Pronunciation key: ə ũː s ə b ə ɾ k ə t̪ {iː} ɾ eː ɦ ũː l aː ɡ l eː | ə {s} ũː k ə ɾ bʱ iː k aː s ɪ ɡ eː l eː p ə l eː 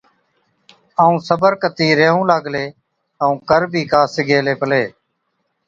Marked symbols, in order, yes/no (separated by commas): yes, no